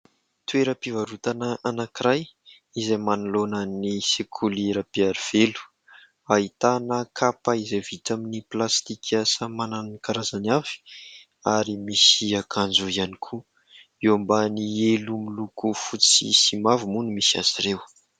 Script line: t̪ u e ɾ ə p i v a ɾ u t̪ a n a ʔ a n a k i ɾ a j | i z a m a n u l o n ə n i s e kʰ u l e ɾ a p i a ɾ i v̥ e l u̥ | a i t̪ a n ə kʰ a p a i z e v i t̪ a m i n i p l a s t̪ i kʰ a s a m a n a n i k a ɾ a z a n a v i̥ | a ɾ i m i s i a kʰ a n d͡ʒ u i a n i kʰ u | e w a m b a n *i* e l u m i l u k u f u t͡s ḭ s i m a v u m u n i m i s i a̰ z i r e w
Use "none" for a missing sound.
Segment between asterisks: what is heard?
i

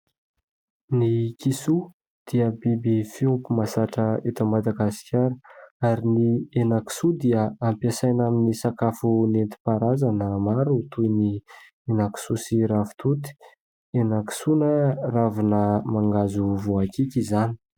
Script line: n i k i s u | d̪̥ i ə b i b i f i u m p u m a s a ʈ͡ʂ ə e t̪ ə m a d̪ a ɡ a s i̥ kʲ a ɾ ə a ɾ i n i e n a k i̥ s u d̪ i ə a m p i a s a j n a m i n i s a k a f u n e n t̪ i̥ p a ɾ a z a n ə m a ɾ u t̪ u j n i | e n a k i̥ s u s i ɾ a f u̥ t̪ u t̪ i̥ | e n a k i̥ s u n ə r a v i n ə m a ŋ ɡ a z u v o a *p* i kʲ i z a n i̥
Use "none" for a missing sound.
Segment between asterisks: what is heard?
k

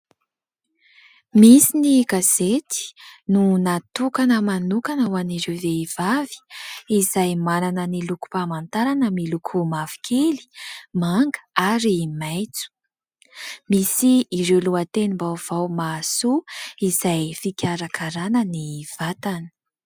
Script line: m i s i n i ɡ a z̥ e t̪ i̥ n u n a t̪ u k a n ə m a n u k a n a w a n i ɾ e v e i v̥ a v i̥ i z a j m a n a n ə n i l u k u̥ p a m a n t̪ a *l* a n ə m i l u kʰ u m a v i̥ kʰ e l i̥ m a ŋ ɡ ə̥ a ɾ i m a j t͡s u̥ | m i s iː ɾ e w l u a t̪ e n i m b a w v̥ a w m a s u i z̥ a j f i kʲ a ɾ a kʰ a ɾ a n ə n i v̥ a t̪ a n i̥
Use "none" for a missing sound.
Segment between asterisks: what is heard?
ɾ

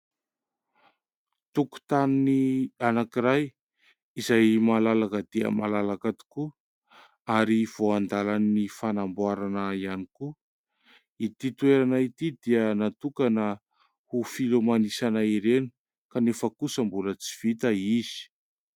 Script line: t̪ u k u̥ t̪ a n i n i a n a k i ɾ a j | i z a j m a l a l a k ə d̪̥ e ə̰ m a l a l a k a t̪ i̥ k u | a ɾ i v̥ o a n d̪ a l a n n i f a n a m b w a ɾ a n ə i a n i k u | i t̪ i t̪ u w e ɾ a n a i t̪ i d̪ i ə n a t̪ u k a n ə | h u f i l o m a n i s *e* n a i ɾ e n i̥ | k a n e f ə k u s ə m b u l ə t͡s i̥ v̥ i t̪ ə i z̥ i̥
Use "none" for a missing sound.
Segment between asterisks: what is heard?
a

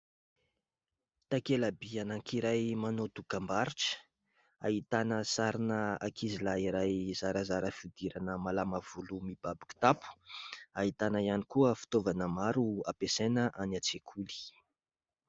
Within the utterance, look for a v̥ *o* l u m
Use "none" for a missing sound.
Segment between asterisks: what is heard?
u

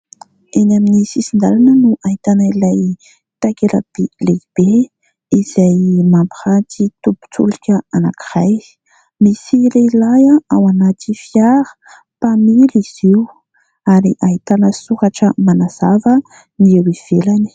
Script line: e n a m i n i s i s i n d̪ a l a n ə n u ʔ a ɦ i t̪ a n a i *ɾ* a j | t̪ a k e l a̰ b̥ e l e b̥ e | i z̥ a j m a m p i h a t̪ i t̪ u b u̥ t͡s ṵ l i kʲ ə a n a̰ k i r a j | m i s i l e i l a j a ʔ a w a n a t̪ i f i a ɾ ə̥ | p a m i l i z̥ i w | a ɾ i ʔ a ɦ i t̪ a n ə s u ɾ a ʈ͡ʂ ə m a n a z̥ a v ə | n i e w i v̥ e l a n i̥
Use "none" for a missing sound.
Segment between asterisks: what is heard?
l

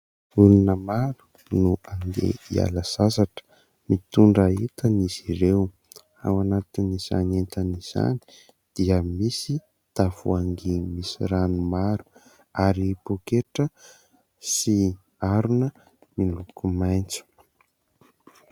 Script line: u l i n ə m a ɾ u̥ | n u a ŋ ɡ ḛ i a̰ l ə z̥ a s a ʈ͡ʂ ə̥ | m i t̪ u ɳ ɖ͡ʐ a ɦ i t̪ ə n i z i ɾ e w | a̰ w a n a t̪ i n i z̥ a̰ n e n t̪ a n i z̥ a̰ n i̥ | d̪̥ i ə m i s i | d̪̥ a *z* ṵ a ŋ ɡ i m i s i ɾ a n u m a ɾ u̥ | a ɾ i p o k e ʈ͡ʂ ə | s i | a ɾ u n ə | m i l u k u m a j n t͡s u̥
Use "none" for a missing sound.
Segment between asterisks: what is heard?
v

